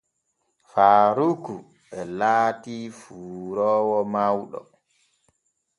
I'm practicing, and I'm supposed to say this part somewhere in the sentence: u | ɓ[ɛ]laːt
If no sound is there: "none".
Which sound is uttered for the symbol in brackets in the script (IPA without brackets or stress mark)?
ɛ